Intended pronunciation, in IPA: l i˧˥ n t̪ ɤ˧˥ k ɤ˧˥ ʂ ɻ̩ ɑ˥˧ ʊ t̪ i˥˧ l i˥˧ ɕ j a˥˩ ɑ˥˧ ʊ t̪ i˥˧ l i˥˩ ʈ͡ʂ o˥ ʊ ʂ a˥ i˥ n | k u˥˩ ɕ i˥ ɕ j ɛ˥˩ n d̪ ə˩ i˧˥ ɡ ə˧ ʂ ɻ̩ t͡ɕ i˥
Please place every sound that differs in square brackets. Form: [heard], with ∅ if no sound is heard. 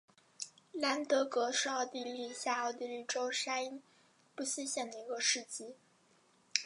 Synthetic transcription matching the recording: l [a˧˥] n t̪ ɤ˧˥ k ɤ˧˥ ʂ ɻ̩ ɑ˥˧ ʊ t̪ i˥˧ l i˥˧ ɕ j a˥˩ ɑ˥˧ ʊ t̪ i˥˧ l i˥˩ ʈ͡ʂ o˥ ʊ ʂ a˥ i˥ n | [p] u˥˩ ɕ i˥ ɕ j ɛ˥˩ n d̪ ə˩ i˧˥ ɡ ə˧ ʂ ɻ̩ t͡ɕ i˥